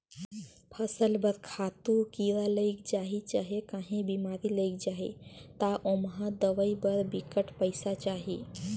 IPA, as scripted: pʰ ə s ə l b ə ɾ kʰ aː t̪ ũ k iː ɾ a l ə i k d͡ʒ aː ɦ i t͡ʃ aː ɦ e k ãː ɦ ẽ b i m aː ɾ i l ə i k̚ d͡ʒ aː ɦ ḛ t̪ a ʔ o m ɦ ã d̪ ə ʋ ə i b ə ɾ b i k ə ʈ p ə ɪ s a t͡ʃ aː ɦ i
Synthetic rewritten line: pʰ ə s ə l b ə ɾ kʰ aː t̪ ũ k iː ɾ a l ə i k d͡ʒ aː ɦ i t͡ʃ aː ɦ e k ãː ɦ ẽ b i m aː ɾ i l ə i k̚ d͡ʒ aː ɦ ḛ t̪ a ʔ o m ɦ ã d̪ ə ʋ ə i b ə ɾ b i k ə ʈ p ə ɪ s a t͡ʃ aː ɦ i